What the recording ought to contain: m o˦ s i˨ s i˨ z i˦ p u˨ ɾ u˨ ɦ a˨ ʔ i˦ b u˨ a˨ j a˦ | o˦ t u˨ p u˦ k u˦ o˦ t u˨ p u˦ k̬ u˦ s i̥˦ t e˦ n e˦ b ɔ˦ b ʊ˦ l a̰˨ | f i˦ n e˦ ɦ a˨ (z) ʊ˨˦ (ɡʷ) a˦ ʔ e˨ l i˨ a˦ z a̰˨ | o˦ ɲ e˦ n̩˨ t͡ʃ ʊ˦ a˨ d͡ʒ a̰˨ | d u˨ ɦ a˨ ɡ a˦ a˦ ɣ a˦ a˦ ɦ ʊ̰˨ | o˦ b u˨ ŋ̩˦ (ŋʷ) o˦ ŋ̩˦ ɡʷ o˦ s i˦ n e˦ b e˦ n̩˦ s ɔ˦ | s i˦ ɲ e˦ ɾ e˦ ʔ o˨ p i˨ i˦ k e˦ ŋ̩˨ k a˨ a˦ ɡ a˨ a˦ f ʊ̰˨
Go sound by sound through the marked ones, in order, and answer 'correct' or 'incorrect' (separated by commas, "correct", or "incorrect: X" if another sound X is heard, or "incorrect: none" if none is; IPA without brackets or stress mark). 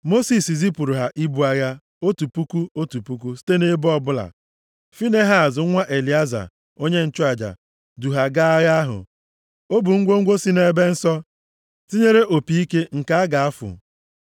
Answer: correct, incorrect: ŋʷ, incorrect: ɡʷ